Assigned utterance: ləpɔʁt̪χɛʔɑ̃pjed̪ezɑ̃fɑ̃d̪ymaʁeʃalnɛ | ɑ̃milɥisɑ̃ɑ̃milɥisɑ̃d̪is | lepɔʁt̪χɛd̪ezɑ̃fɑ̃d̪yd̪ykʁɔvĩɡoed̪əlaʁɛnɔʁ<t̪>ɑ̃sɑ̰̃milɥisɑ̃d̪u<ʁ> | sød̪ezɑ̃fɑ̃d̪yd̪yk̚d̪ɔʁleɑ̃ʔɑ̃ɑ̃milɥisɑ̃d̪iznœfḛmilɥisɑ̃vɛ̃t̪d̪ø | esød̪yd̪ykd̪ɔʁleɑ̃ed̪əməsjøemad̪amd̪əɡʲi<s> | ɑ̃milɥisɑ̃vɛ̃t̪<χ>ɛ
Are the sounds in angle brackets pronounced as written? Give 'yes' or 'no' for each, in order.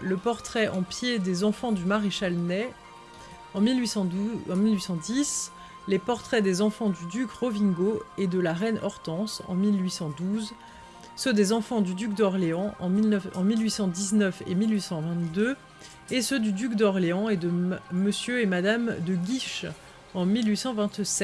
yes, no, no, no

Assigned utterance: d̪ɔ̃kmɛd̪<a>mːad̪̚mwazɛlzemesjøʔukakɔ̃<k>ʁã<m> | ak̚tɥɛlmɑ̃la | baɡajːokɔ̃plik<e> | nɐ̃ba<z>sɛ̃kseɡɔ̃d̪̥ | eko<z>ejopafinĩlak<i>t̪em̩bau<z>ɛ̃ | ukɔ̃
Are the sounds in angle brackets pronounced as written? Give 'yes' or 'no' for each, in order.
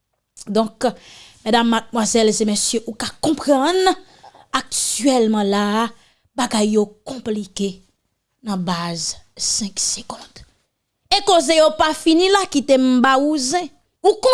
yes, no, no, yes, yes, yes, yes, yes

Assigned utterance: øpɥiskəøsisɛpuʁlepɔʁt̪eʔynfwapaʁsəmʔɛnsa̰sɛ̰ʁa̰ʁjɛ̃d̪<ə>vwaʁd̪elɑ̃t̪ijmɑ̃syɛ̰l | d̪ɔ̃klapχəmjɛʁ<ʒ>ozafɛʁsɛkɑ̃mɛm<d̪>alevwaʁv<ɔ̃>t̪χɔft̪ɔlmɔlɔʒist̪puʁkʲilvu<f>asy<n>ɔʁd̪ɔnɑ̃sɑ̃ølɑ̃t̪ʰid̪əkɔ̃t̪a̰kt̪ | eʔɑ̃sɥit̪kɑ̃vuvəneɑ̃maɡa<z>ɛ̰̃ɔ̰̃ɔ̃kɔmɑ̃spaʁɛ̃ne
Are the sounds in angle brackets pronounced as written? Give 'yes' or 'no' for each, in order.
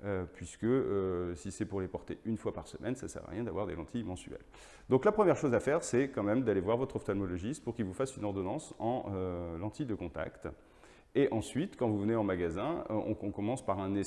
no, no, yes, no, yes, yes, yes

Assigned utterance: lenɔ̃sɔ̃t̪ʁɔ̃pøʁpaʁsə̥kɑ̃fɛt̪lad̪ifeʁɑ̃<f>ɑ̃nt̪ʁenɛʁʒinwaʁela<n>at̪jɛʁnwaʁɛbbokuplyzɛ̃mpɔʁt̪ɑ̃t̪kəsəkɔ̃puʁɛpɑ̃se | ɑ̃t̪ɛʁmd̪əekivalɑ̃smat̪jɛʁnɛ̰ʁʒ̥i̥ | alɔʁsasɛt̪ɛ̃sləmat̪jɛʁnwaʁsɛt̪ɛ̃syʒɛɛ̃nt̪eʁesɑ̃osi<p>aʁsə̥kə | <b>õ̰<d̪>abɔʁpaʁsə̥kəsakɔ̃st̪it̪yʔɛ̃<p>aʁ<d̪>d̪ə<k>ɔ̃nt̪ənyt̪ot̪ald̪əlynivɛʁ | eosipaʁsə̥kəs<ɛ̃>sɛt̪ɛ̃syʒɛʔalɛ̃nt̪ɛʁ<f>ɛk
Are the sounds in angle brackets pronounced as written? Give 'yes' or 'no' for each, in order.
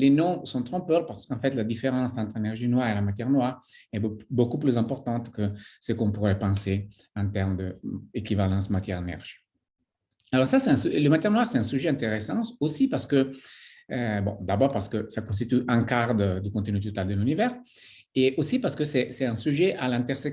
no, no, yes, yes, yes, no, yes, yes, no, no

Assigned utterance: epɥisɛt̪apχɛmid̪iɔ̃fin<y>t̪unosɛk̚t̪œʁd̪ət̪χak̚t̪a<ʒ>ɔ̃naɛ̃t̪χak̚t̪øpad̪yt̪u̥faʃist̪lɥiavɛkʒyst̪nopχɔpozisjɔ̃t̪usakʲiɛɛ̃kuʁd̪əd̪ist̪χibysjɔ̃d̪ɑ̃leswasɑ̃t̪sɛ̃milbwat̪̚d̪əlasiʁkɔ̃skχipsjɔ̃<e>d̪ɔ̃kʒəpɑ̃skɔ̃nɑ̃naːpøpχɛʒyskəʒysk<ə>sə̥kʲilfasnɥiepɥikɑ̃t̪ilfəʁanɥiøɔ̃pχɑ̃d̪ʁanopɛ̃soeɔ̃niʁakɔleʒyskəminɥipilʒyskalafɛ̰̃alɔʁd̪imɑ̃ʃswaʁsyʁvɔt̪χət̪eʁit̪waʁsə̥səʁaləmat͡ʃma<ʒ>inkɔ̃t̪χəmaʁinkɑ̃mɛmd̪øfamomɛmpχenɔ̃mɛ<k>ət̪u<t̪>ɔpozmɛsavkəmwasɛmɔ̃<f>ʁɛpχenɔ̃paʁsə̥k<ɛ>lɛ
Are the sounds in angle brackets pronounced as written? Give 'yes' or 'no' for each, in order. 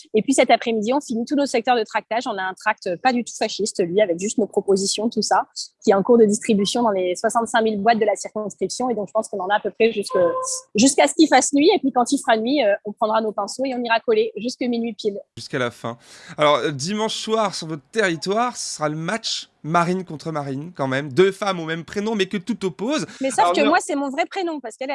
no, yes, yes, no, no, yes, yes, no, yes

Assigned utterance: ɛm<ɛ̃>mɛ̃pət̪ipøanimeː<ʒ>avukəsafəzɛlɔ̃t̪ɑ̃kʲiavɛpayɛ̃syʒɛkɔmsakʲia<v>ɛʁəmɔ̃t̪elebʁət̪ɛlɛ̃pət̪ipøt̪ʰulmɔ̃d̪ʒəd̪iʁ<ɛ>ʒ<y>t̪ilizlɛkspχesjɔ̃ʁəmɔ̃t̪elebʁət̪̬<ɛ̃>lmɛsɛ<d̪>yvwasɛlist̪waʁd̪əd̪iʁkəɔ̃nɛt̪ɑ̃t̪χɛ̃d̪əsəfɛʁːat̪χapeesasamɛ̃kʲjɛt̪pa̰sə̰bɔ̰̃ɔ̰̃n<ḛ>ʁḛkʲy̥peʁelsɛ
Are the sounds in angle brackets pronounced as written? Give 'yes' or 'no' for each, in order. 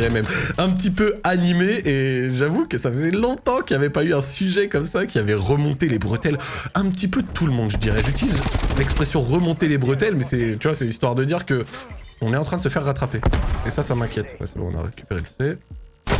no, yes, yes, yes, yes, no, no, no

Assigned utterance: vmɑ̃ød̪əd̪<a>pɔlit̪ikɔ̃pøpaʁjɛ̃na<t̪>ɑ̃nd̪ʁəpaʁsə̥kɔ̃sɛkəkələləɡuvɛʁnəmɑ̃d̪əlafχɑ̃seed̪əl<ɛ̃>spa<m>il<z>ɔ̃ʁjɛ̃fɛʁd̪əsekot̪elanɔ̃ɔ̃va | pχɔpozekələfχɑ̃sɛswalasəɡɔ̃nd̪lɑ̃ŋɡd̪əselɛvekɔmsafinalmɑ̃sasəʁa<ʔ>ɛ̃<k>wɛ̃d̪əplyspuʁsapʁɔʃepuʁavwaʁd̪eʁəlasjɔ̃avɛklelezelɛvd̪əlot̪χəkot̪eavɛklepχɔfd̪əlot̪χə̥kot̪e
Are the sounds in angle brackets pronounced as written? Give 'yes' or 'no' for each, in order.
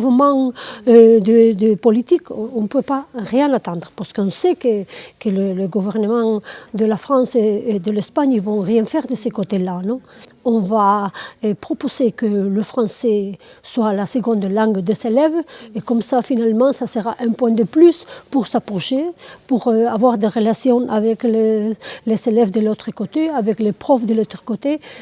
no, yes, no, no, no, yes, no

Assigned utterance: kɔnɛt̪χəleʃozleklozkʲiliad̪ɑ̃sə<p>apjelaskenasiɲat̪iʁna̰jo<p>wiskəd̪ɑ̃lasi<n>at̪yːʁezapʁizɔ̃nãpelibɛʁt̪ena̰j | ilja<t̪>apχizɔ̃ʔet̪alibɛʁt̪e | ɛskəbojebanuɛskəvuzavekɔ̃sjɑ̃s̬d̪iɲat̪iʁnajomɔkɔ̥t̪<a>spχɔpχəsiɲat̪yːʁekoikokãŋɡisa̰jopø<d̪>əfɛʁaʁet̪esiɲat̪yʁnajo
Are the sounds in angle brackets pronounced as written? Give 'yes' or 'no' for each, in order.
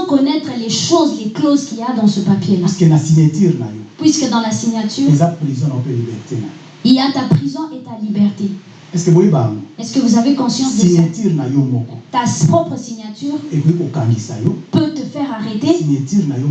yes, yes, no, yes, yes, no

